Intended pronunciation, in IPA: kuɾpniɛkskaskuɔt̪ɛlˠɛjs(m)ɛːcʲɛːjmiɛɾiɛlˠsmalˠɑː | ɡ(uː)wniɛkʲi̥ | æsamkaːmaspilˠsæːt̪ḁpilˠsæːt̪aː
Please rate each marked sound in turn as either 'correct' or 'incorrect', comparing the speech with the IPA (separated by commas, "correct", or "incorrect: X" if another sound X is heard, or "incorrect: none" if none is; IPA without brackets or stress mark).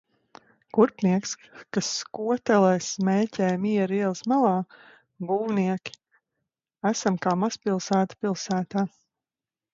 correct, correct